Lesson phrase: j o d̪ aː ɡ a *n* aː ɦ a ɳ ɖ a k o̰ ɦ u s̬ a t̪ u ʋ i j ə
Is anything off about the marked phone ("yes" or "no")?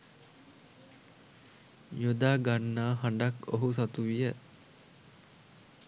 yes